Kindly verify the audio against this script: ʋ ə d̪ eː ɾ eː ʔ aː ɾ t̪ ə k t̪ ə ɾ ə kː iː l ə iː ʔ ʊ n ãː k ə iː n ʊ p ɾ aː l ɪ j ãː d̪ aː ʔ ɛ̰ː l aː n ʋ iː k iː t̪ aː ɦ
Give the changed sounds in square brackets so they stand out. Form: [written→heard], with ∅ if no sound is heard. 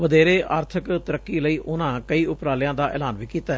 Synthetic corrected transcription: ʋ ə d̪ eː ɾ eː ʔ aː ɾ [t̪→t̪ʰ] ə k t̪ ə ɾ ə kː iː l ə iː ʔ ʊ n ãː k ə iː [n→∅] ʊ p ɾ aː l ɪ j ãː d̪ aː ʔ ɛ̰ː l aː n ʋ iː k iː t̪ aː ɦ